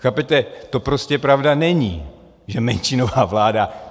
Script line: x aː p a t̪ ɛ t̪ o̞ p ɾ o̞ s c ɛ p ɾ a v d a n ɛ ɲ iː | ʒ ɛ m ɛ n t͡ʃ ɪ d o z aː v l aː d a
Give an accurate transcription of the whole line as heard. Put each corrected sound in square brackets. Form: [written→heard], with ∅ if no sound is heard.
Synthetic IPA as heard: x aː p [a→ɛ] t̪ ɛ t̪ o̞ p ɾ o̞ s c ɛ p ɾ a v d a n ɛ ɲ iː | ʒ ɛ m ɛ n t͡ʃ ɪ [d→n] o [z→v] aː v l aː d a